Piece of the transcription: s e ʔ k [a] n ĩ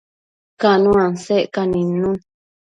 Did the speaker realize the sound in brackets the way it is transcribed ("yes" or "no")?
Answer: yes